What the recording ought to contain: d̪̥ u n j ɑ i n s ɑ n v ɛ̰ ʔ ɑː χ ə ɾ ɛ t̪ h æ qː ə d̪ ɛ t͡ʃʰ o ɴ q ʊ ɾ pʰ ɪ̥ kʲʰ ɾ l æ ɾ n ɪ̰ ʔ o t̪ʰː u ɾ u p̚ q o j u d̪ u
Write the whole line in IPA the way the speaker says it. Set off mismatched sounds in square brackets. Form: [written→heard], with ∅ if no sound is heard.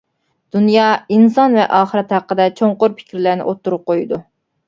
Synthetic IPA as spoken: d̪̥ u n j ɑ i n s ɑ n v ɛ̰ ʔ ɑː χ ə ɾ ɛ t̪ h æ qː ə d̪ ɛ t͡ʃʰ o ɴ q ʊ ɾ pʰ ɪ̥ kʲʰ ɾ l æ ɾ n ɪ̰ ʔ o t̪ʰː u ɾ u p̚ q o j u d̪ u